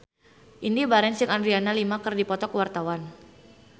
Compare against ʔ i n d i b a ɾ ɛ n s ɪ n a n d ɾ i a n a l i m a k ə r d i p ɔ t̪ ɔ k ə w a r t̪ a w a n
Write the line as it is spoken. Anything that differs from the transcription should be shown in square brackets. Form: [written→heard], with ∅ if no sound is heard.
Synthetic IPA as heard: ʔ i n d i b a ɾ ɛ n s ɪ [n→ŋ] a n d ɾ i a n a l i m a k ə r d i p ɔ t̪ ɔ k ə w a r t̪ a w a n